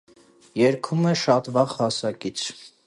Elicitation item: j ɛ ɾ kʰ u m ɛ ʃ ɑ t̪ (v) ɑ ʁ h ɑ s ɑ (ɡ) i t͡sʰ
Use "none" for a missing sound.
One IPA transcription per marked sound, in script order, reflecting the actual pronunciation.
v, k

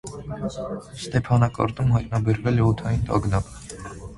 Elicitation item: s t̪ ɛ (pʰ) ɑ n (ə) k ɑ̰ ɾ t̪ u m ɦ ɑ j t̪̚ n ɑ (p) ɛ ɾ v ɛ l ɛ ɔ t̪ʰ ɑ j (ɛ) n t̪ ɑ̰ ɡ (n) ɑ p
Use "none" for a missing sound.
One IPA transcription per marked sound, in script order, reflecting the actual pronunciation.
pʰ, ɑ, b, i, n

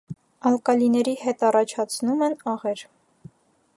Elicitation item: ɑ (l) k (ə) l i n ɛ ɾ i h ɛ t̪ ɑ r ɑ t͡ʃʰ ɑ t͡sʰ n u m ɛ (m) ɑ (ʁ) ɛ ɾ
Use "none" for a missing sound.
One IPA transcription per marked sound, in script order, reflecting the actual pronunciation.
l, ɑ, n, ʁ

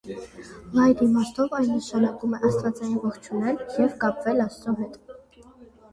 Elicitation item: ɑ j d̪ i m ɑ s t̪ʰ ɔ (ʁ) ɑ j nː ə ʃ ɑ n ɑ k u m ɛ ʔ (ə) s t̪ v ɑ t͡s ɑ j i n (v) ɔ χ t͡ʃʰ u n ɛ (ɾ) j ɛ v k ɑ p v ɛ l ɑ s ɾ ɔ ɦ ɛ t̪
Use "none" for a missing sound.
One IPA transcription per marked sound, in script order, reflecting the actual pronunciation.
v, ɑ, v, l

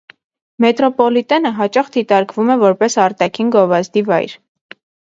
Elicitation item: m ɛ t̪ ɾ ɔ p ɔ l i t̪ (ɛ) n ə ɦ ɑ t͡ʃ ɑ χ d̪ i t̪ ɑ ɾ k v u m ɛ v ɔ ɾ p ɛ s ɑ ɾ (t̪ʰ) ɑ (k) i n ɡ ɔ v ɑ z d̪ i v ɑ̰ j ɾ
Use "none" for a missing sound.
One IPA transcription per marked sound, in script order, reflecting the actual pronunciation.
ɛ, t̪, kʰ

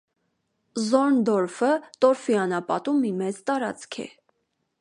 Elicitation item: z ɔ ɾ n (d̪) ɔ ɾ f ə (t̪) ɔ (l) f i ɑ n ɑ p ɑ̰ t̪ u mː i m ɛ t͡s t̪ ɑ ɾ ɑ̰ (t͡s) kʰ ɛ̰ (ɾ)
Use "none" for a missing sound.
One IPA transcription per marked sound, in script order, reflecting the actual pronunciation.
d̪, t̪, ɾ, t͡s, none

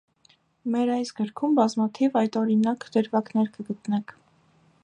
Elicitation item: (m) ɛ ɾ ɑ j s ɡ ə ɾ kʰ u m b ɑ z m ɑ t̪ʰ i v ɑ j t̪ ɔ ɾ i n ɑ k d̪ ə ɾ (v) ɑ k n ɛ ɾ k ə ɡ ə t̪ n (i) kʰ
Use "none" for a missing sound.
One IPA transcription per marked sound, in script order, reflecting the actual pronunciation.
m, v, ɛ

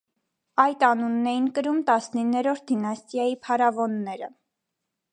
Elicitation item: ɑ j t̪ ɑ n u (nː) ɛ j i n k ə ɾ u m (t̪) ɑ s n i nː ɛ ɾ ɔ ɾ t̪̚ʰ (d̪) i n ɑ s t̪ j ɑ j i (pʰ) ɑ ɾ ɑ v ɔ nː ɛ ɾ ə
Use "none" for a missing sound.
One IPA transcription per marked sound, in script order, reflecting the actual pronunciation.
nː, t̪, d̪, pʰ

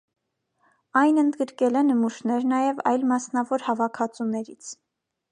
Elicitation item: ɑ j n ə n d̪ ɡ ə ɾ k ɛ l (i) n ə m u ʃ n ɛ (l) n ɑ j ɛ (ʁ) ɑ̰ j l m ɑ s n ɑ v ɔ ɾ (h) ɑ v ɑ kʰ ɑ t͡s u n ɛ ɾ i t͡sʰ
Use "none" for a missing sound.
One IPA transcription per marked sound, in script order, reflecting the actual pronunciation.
ɛ, ɾ, v, h

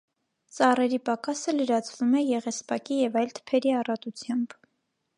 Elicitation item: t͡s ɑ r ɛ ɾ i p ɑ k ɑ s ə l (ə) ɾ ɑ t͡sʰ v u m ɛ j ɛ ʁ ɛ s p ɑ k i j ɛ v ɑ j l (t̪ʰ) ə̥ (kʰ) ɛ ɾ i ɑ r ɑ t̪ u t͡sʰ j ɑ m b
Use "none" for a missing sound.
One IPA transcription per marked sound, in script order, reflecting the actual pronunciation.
ə, t̪ʰ, pʰ

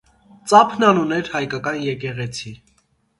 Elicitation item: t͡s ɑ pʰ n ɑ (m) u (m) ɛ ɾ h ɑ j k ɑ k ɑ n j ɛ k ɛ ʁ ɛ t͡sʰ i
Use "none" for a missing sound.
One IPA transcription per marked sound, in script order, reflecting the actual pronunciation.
n, n

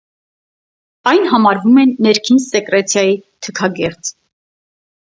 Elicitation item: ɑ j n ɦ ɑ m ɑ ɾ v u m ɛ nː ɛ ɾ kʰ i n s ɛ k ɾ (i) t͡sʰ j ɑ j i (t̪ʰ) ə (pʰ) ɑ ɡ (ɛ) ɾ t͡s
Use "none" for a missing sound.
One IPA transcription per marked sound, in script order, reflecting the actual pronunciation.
ɛ, t̪ʰ, kʰ, ɛ

